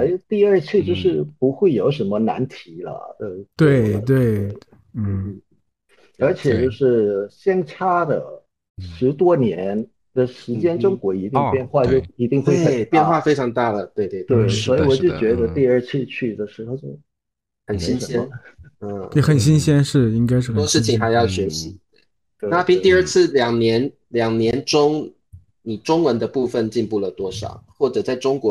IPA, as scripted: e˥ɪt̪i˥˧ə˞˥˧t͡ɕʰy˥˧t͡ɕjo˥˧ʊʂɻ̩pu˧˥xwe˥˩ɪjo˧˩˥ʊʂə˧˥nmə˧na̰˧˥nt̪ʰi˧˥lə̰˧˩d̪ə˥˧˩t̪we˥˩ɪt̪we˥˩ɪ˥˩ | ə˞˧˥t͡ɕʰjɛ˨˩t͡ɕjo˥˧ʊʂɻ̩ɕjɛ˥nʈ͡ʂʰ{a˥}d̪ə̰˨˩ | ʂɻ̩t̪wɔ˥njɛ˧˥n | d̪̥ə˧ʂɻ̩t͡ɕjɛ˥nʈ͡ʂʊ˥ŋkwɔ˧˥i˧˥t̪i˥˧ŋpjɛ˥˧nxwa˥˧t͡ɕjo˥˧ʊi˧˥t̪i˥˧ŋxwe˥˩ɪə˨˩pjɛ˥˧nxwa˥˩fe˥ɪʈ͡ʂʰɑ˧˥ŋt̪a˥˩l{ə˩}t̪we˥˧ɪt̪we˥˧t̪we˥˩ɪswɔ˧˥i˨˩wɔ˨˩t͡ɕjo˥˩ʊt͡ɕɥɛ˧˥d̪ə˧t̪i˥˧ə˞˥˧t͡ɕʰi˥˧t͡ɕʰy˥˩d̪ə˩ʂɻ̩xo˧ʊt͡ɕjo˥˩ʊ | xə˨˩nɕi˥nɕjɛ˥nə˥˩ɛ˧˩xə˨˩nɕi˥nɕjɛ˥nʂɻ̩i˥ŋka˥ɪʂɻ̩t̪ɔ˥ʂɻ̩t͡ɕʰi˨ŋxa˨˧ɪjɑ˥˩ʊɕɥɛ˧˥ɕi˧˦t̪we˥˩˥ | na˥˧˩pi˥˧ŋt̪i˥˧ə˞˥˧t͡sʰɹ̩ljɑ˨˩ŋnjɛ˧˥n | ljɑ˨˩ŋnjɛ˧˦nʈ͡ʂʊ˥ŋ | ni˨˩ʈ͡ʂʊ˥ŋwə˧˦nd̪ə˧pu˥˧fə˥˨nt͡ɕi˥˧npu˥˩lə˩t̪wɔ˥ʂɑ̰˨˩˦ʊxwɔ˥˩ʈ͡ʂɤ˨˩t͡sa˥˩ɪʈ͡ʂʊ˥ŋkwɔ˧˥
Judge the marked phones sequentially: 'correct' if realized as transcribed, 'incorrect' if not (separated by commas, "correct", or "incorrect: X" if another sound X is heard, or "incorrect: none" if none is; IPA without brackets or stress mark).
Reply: correct, correct